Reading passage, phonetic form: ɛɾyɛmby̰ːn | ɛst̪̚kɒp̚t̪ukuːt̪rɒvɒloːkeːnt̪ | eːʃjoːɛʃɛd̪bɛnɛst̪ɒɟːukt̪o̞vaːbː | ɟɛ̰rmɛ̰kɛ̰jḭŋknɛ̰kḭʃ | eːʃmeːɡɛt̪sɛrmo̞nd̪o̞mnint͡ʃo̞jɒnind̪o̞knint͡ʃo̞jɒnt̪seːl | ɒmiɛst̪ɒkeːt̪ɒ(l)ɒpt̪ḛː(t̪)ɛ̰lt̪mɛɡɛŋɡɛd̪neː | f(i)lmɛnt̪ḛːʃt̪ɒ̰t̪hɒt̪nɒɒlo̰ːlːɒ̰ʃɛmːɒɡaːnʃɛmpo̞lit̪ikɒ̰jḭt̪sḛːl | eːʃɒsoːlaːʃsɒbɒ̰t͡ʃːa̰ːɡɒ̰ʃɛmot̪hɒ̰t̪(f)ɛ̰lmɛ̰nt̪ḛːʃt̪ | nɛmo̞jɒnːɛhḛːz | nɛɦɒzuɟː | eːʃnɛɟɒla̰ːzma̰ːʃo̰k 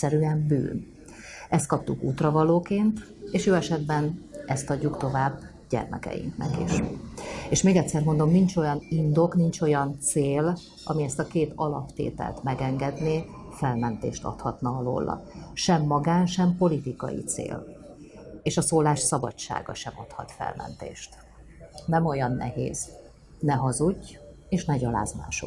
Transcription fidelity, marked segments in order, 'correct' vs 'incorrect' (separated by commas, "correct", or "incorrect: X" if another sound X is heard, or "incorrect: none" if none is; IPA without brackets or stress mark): correct, correct, incorrect: ɛ, correct